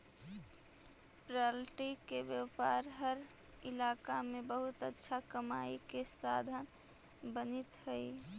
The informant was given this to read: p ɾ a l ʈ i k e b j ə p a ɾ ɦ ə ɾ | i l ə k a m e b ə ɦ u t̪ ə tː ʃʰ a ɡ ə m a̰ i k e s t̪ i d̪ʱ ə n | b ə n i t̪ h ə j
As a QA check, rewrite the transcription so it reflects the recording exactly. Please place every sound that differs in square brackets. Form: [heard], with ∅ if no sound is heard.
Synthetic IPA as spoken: p ɾ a l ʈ i k e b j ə p a ɾ ɦ ə ɾ | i l [a] k a m e b ə ɦ u t̪ ə tː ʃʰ a [k] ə m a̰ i k e s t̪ [a] d̪ʱ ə n | b ə n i t̪ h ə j